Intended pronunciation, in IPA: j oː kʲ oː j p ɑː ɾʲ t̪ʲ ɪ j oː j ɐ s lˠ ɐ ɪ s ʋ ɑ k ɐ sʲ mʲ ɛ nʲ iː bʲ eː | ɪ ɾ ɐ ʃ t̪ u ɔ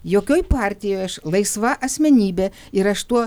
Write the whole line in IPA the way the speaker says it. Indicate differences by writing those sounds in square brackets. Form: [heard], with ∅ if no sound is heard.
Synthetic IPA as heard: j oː kʲ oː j p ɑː ɾʲ t̪ʲ ɪ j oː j ɐ [ʃ] lˠ ɐ ɪ s ʋ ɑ [ʔ] ɐ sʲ mʲ ɛ nʲ iː bʲ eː | ɪ ɾ ɐ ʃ t̪ u ɔ